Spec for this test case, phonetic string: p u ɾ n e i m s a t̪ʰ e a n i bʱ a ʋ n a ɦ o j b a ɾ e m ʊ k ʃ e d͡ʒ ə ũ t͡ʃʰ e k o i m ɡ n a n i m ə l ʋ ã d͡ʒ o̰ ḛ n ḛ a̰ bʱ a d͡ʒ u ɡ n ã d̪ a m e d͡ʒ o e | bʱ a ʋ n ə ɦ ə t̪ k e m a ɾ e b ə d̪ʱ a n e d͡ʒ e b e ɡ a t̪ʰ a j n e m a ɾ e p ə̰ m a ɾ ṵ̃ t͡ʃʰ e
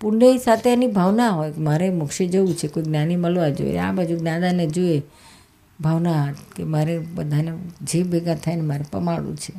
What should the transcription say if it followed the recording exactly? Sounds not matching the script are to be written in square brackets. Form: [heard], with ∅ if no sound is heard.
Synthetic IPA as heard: p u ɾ n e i [∅] s a t̪ʰ e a n i bʱ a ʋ n a ɦ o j [m] a ɾ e m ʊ k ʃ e d͡ʒ ə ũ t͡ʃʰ e k o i [∅] ɡ n a n i m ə l ʋ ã d͡ʒ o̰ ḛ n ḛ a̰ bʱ a d͡ʒ u ɡ n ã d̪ a [n] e d͡ʒ o e | bʱ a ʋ n [a] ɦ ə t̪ k e m a ɾ e b ə d̪ʱ a n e d͡ʒ e b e ɡ a t̪ʰ a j n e m a ɾ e p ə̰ m a [ɽ] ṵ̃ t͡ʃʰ e